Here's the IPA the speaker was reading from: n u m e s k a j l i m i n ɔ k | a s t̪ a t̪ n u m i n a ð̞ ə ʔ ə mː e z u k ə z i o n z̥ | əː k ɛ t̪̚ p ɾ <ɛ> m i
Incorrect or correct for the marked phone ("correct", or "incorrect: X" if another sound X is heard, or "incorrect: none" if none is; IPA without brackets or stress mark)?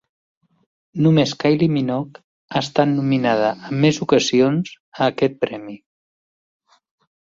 correct